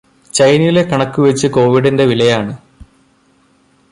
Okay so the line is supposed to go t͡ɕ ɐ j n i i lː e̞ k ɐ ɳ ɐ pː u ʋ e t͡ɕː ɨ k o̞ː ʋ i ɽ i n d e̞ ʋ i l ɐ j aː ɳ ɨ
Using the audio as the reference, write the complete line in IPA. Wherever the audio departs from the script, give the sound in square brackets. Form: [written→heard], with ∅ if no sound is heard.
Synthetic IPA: t͡ɕ ɐ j n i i [lː→l] e̞ k ɐ ɳ ɐ [pː→kː] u ʋ e t͡ɕː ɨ k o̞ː ʋ i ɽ i n d e̞ ʋ i l ɐ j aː ɳ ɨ